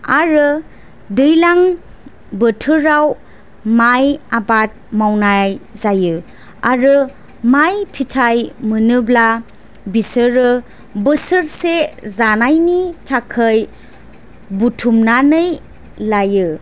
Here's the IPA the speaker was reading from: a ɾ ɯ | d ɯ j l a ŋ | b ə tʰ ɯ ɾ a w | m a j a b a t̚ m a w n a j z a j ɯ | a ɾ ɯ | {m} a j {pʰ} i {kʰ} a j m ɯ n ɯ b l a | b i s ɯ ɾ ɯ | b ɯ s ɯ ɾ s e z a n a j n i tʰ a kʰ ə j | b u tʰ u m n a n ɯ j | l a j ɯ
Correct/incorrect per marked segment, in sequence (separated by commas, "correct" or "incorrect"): correct, correct, incorrect